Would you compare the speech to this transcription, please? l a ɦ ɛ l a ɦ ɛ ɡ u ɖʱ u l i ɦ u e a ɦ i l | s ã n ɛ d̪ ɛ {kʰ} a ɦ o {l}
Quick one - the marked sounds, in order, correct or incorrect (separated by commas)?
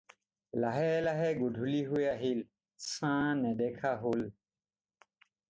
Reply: correct, correct